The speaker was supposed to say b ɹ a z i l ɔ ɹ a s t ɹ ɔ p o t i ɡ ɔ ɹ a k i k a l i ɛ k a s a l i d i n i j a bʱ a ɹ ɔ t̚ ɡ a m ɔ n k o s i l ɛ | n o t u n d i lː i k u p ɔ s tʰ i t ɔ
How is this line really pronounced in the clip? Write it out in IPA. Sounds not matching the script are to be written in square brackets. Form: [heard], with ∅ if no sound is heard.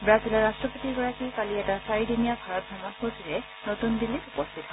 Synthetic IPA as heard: b ɹ a z i l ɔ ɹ a s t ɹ ɔ p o t i ɡ ɔ ɹ a k i k a l i ɛ [t] a s a [ɹ] i d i n i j a bʱ a ɹ ɔ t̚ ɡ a m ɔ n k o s i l ɛ | n o t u n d i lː i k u p ɔ s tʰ i t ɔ